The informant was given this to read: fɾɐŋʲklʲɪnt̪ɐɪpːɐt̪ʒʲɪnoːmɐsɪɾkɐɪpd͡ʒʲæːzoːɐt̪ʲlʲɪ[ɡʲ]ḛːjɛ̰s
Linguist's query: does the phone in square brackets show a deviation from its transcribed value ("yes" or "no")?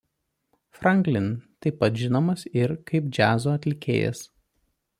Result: yes